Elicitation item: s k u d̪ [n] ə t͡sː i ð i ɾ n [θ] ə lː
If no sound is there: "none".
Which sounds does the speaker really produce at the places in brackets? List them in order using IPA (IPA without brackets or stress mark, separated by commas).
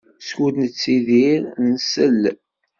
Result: n, s